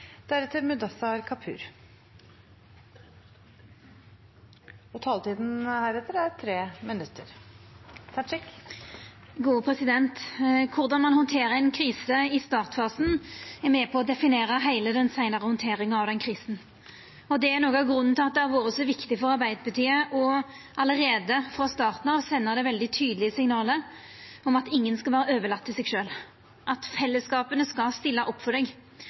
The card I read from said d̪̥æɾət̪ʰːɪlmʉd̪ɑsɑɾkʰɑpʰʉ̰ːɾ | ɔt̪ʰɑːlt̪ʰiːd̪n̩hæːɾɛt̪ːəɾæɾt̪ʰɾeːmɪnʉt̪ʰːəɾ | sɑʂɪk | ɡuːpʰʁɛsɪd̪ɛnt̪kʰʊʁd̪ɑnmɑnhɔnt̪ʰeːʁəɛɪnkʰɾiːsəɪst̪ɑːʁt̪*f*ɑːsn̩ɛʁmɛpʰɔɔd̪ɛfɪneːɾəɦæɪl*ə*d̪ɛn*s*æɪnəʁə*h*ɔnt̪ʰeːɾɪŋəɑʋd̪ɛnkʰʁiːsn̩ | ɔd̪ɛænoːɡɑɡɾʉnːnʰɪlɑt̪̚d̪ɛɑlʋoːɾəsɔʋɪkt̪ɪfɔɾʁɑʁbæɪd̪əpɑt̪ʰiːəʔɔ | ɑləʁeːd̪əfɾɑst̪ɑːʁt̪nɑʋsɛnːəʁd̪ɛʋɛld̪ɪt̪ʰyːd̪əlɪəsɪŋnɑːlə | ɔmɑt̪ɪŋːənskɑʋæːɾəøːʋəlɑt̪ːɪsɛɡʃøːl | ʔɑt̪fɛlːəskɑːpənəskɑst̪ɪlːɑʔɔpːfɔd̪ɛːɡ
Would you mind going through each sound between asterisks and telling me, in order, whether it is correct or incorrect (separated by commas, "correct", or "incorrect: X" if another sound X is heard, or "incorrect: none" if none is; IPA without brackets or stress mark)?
correct, correct, correct, correct